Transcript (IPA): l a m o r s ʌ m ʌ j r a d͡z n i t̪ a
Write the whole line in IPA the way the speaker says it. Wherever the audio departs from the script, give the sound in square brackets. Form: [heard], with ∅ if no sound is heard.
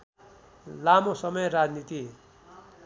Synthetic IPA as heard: l a m o [∅] s ʌ m ʌ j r a d͡z n i t̪ [i]